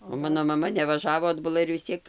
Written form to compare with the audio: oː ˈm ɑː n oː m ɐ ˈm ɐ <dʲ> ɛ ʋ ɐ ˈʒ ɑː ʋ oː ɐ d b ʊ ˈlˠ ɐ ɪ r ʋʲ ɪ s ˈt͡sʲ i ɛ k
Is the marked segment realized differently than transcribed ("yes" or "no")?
yes